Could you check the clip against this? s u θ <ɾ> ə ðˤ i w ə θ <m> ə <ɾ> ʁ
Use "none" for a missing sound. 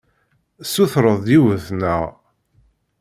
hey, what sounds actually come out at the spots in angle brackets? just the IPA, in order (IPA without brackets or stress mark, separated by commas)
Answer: ɾ, n, none